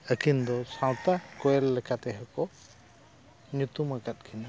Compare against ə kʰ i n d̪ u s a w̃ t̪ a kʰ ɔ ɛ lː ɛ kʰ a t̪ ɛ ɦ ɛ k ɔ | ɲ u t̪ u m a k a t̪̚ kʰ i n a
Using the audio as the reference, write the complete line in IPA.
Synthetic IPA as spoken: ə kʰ i n d̪ ɔ s a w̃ t̪ a k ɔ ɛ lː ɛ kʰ a t̪ ɛ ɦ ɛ k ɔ | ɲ u t̪ u m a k a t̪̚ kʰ i n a